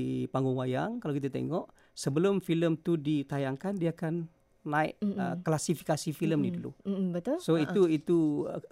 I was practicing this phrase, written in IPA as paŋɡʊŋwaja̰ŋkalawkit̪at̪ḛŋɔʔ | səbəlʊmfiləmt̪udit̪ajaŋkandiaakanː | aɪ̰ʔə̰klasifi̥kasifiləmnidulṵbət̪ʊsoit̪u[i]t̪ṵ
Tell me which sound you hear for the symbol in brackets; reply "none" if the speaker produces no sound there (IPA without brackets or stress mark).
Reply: i